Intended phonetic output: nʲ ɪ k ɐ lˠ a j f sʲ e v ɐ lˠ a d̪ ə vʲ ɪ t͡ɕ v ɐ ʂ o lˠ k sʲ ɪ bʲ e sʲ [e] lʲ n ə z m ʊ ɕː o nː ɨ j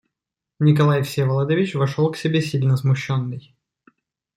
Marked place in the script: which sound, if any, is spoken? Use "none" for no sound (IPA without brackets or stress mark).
i